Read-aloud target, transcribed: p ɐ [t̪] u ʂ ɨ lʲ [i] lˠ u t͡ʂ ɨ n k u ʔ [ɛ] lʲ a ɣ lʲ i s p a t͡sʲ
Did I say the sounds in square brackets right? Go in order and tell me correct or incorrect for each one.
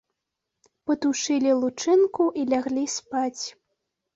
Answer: correct, correct, incorrect: i

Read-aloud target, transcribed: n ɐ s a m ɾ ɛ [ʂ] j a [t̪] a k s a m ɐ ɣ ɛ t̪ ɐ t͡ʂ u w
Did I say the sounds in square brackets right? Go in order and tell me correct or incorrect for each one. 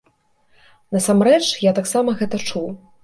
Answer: incorrect: t͡ʂ, correct

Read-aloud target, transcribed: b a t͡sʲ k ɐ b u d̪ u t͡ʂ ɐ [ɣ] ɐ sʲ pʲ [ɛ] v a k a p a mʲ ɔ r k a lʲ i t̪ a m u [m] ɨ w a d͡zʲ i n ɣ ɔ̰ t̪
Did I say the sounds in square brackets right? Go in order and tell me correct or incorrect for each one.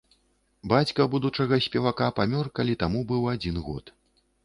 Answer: correct, correct, incorrect: b

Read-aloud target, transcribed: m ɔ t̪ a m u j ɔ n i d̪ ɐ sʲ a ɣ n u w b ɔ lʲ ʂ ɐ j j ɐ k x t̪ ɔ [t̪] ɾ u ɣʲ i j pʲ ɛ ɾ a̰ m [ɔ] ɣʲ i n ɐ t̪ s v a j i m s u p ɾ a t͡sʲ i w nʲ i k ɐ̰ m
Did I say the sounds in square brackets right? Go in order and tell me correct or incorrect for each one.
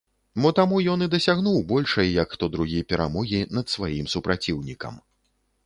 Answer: incorrect: d̪, correct

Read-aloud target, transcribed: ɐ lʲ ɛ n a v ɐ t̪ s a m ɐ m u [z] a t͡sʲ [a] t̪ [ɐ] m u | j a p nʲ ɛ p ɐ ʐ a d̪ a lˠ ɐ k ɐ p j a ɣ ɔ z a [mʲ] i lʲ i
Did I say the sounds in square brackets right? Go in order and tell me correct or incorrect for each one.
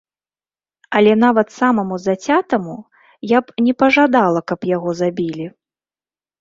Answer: correct, correct, correct, incorrect: bʲ

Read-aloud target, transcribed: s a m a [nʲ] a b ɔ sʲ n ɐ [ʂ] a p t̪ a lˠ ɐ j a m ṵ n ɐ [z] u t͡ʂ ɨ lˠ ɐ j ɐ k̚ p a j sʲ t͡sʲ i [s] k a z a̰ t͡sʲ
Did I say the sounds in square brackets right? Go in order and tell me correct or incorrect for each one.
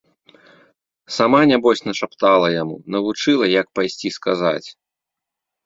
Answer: correct, correct, incorrect: v, correct

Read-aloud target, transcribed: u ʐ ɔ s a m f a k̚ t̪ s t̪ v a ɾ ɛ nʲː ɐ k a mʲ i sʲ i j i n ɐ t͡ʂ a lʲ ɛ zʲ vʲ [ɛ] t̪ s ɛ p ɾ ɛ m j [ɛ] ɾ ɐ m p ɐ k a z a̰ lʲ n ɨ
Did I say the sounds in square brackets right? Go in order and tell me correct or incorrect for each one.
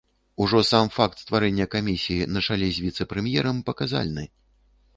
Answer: incorrect: i, correct

